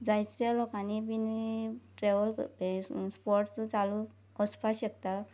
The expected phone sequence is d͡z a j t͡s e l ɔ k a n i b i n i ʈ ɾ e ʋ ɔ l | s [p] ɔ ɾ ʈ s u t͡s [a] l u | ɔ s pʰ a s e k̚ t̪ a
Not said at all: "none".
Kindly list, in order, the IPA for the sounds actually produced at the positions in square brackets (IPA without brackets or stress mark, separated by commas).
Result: p, a